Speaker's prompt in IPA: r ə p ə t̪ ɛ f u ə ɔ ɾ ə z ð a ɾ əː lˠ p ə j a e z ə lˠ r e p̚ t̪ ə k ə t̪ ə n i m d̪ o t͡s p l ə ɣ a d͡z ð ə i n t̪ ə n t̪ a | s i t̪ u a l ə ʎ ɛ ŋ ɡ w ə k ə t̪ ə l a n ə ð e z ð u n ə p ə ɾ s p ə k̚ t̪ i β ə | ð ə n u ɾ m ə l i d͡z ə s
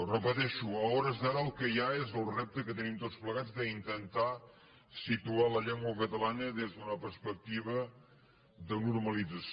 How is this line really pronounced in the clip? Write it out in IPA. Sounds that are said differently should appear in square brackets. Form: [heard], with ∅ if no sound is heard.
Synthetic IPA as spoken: r ə p ə t̪ ɛ [ʃ] u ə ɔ ɾ ə z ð a ɾ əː lˠ [k] ə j a e z ə lˠ r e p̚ t̪ ə k ə t̪ ə n i m [t̪] o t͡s p l ə ɣ a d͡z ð ə i n t̪ ə n t̪ a | s i t̪ u a l ə ʎ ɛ ŋ ɡ w ə k ə t̪ ə l a n ə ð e z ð u n ə p ə ɾ s p ə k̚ t̪ i β ə | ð ə n u ɾ m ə l i d͡z ə s

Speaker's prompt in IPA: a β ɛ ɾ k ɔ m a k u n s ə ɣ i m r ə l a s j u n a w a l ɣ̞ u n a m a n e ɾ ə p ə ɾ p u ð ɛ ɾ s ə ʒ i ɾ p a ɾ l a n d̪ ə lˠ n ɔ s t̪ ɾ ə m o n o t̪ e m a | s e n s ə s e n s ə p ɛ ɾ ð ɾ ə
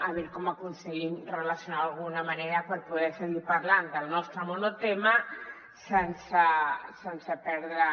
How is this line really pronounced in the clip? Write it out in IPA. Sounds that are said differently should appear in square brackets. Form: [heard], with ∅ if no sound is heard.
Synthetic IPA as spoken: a β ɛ ɾ k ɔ m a k u n s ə ɣ i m r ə l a s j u n a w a l ɣ̞ u n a m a n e ɾ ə p ə ɾ p u ð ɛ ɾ s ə [ɣ] i ɾ p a ɾ l a n d̪ ə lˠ n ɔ s t̪ ɾ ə m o n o t̪ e m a | s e n s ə s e n s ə p ɛ ɾ ð ɾ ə

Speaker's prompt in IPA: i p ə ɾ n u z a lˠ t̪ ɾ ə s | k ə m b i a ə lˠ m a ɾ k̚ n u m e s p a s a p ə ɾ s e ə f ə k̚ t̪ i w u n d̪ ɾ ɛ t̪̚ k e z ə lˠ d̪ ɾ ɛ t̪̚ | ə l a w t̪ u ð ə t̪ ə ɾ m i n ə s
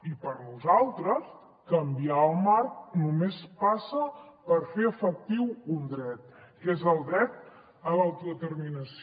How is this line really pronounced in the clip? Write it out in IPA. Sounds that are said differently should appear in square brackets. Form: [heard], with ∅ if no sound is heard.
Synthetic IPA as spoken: i p ə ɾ n u z a lˠ t̪ ɾ ə s | k ə m b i a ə lˠ m a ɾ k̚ n u m e s p a s [ə] p ə ɾ [f] e ə f ə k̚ t̪ i w u n d̪ ɾ ɛ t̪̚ k e z ə lˠ d̪ ɾ ɛ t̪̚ | ə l a w t̪ u ð ə t̪ ə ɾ m i n ə s

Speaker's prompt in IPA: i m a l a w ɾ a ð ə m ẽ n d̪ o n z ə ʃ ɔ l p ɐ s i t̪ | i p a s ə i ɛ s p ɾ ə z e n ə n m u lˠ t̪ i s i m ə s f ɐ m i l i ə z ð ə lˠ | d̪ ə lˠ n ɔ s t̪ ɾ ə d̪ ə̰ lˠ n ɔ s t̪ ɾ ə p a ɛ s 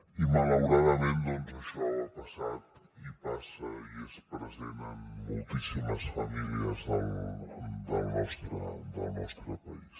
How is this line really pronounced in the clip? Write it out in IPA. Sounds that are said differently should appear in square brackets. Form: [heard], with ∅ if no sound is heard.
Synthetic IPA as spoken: i m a l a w ɾ a ð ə m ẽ n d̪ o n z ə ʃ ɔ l p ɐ s [a] t̪ | i p a s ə i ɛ s p ɾ ə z e n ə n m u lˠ t̪ i s i m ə s f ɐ m i l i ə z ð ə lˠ | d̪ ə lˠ n ɔ s t̪ ɾ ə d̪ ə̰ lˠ n ɔ s t̪ ɾ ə p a [i] s

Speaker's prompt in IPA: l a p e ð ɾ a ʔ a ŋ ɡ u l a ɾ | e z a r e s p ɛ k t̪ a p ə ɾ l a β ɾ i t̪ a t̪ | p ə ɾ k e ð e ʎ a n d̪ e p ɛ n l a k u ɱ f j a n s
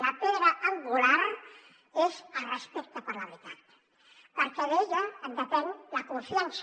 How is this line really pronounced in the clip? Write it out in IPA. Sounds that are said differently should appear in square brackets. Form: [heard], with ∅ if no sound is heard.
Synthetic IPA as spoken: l a p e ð ɾ a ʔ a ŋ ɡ u l a ɾ | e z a r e s p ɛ k t̪ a p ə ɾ l a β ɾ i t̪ a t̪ | p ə ɾ k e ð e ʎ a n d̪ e p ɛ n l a k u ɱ f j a n s

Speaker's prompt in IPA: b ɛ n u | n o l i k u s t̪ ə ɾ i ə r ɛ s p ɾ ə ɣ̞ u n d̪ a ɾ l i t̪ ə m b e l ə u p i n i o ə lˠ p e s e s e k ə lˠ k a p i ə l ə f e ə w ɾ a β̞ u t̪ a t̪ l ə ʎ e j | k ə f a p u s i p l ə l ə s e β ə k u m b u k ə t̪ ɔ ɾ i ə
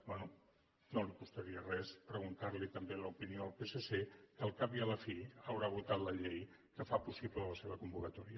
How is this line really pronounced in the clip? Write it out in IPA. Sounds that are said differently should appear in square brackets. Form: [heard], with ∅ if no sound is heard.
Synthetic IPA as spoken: b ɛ n u | n o l i k u s t̪ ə ɾ i ə r ɛ s p ɾ ə ɣ̞ u n [t̪] a ɾ l i t̪ ə m b e l ə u p i n i o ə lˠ p e s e s e k ə lˠ k a p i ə l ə f [i] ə w ɾ a β̞ u t̪ a t̪ l ə ʎ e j | k ə f a p u s i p l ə l ə s e β ə k u m b u k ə t̪ ɔ ɾ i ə

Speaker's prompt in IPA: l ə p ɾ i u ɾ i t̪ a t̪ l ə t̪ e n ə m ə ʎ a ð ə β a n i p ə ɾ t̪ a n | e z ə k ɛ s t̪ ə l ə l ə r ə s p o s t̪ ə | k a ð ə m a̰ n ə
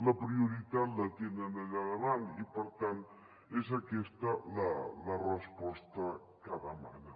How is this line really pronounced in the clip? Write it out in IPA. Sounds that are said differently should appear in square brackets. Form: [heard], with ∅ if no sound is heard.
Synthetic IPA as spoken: l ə p ɾ i u ɾ i t̪ a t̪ l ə t̪ e n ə [n] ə ʎ a ð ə β a n i p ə ɾ t̪ a n | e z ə k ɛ s t̪ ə l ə l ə r ə s p [ɔ] s t̪ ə | k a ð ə m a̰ n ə

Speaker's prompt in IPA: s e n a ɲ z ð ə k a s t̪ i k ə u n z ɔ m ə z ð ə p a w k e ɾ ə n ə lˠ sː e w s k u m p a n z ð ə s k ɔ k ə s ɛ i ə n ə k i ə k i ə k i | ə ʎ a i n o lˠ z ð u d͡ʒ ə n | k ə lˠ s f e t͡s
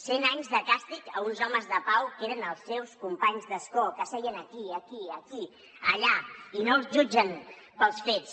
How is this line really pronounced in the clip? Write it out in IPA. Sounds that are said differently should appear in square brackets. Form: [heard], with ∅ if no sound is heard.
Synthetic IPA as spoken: s e n a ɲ z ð ə k a s t̪ i k ə u n z ɔ m ə z ð ə p a w k e ɾ ə n ə lˠ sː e w s k u m p a [ɲ] z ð ə s k ɔ k ə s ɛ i ə n ə k i ə k i ə k i | ə ʎ a i n o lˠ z [ʒ] u d͡ʒ ə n | [p] ə lˠ s f e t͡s

